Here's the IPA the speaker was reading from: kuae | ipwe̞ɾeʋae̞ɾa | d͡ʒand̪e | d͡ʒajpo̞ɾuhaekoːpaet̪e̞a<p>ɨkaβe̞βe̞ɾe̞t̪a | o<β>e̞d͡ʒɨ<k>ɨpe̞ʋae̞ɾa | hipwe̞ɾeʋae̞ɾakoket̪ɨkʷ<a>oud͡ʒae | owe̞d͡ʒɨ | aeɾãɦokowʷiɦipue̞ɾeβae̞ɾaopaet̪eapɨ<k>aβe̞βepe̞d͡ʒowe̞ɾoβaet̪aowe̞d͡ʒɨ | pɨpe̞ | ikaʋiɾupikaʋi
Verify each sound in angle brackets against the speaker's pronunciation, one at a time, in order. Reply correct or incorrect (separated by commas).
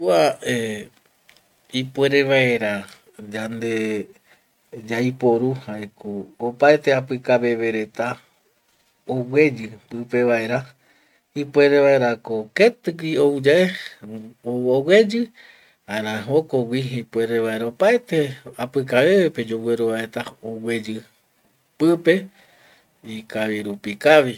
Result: correct, incorrect, incorrect, incorrect, correct